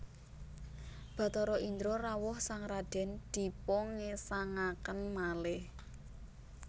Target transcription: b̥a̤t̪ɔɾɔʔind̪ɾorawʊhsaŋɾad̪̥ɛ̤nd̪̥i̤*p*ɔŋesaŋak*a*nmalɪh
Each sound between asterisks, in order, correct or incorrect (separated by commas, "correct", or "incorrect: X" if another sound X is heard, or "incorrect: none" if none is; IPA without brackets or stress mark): correct, incorrect: ə